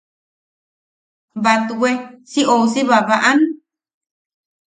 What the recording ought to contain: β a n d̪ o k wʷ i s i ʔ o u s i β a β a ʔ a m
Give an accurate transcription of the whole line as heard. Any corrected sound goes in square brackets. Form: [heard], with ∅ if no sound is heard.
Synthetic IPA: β a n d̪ [u] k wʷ [e] s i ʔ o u s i β a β a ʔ a [n]